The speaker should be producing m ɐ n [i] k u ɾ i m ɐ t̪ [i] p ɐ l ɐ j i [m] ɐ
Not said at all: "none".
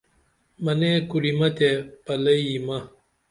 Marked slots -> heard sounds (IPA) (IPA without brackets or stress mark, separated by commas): e, e, m